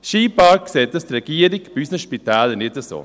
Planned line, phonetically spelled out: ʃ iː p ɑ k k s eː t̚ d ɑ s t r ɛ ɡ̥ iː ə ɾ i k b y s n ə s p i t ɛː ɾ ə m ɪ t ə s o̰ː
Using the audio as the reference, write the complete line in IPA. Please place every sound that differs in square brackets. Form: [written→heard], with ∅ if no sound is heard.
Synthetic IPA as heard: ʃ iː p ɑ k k s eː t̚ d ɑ s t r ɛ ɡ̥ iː ə ɾ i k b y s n ə [s→ʃ] p i t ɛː [ɾ→l] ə [m→n] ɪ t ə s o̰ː